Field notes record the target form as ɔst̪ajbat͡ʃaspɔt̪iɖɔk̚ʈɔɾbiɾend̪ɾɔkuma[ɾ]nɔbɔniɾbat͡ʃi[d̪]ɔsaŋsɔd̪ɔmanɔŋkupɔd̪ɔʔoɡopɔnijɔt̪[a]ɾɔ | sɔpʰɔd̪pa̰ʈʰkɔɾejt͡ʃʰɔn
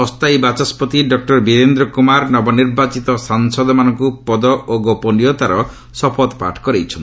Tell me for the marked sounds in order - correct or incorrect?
correct, incorrect: t̪, correct

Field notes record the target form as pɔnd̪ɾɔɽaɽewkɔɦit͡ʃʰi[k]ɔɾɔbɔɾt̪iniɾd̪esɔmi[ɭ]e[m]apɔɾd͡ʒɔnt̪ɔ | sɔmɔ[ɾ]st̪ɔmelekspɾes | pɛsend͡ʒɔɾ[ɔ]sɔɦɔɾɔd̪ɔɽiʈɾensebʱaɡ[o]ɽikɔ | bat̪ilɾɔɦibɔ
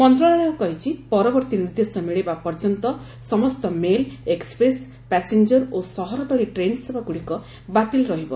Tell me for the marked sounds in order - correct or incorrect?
incorrect: p, correct, incorrect: b, incorrect: none, incorrect: o, incorrect: u

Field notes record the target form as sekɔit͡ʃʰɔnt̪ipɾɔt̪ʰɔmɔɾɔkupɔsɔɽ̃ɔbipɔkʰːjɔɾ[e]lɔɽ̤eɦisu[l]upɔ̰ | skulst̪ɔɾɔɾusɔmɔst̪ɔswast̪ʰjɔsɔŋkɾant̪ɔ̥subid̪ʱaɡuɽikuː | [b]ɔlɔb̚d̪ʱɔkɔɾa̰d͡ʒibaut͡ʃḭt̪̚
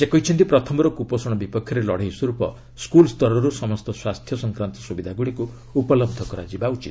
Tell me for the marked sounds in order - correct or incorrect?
correct, incorrect: ɾ, incorrect: p

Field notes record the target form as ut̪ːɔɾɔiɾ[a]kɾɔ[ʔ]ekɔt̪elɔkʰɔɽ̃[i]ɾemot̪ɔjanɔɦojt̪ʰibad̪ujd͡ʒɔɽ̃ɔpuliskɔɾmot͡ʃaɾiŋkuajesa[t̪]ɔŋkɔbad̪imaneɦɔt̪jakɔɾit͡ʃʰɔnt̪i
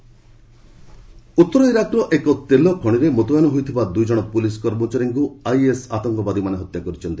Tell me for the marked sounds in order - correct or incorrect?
correct, correct, correct, correct

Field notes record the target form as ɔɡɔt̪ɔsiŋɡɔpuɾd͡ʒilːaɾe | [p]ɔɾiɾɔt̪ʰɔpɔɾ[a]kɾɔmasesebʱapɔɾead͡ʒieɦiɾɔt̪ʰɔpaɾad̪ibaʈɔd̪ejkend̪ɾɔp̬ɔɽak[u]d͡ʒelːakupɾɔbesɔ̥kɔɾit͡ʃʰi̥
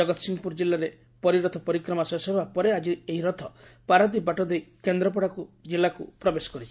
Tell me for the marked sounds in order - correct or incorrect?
correct, incorrect: i, correct

